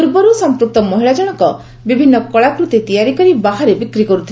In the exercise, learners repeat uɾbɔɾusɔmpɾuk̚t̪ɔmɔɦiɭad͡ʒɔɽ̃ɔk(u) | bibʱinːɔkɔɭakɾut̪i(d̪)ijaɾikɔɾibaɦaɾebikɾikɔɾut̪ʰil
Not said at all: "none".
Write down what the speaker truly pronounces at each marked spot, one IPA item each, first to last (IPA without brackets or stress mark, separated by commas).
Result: ɔ, t̪